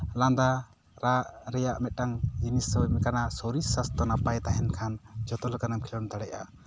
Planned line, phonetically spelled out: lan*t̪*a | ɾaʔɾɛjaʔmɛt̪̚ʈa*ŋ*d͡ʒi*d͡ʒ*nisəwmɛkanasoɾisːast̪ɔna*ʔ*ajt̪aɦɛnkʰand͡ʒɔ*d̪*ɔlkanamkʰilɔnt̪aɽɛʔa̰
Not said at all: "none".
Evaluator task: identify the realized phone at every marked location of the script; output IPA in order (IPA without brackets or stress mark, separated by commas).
d̪, ŋ, none, p, t̪